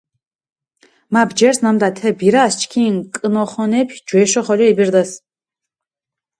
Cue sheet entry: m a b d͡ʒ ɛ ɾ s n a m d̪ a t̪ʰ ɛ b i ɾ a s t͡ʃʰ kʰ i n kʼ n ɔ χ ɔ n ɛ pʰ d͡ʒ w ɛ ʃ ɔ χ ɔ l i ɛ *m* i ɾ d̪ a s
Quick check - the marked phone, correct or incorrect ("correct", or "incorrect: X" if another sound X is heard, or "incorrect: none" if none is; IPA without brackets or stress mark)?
incorrect: b